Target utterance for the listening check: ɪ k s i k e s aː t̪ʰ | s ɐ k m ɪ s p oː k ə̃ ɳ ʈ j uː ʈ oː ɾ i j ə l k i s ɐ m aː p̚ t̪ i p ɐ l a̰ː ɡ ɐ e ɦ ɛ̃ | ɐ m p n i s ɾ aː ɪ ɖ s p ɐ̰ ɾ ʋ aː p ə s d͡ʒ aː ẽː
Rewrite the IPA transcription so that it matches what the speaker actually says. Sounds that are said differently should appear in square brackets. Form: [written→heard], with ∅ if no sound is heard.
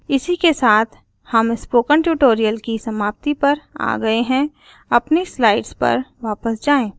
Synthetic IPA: ɪ [k→∅] s i k e s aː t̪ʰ | [s→h] ɐ [k→∅] m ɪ s p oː k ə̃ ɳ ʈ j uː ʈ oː ɾ i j ə l k i s ɐ m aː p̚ t̪ i p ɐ [l→ɾ] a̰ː ɡ ɐ e ɦ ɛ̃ | ɐ [m→∅] p n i s [ɾ→l] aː ɪ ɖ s p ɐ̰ ɾ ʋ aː p ə s d͡ʒ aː ẽː